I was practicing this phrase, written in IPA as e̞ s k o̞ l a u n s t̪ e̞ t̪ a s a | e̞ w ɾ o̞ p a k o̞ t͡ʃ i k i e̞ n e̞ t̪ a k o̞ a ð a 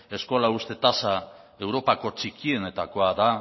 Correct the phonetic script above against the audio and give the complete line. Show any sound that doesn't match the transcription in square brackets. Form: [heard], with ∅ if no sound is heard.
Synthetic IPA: e̞ s k o̞ l a u [∅] s t̪ e̞ t̪ a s a | e̞ w ɾ o̞ p a k o̞ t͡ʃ i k i e̞ n e̞ t̪ a k o̞ a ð a